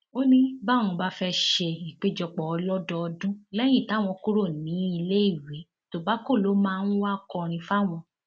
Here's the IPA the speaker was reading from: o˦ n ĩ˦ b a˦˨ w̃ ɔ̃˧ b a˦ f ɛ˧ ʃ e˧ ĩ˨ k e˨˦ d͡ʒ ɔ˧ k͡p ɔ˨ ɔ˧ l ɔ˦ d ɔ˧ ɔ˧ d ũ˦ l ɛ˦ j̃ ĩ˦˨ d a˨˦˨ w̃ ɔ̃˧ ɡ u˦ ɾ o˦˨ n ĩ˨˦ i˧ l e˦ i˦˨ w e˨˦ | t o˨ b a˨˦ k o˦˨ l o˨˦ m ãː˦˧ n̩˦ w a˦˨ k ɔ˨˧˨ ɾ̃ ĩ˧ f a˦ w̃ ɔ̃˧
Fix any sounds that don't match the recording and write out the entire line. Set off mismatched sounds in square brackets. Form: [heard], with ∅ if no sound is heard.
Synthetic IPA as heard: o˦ n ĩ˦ b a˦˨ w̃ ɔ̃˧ b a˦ f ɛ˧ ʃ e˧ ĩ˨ [k͡p] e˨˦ d͡ʒ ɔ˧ k͡p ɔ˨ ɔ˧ l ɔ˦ d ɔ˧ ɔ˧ d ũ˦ l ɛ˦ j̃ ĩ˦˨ [t] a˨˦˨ w̃ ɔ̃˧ [k] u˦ ɾ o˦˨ n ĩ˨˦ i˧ l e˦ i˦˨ w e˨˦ | t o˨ b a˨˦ k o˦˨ l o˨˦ m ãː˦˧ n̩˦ w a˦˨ k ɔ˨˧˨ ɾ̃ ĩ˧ f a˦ w̃ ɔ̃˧